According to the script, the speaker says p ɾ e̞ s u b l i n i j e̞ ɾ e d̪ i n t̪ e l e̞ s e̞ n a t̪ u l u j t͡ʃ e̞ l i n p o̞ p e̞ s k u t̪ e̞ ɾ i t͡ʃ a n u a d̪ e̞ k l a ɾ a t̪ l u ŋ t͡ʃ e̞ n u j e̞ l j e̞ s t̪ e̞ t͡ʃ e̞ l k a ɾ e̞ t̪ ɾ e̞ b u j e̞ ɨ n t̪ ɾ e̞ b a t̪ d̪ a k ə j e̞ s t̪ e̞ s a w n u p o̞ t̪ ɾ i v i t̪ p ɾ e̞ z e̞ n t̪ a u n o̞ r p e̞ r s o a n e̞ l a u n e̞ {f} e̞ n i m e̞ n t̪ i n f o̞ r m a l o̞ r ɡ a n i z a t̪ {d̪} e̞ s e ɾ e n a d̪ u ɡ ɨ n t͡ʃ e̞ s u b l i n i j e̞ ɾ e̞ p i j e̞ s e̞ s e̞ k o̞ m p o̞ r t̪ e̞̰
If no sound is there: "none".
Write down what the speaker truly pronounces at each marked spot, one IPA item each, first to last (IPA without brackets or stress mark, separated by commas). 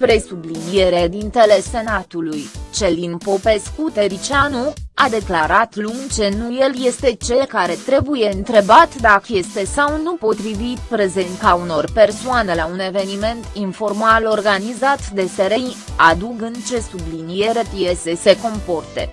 v, d̪